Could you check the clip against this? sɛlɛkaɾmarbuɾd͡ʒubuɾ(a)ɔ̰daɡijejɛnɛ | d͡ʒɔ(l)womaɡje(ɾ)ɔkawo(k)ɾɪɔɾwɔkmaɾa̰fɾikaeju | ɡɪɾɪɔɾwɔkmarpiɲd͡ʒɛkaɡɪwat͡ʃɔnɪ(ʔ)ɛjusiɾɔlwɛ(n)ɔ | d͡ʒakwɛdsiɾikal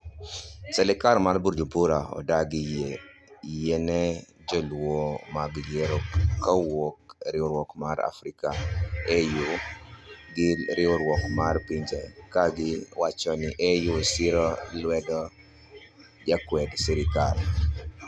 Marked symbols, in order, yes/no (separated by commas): yes, yes, yes, yes, yes, no